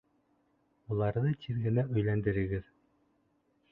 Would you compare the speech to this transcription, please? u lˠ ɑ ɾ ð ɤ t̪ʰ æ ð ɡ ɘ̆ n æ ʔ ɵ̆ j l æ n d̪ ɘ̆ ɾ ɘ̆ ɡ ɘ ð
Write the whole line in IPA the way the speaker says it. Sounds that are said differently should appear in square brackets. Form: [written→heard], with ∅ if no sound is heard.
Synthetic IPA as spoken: u lˠ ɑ ɾ ð ɤ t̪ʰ [æ→i] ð ɡ ɘ̆ n æ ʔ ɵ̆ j l æ n d̪ ɘ̆ ɾ ɘ̆ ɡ ɘ ð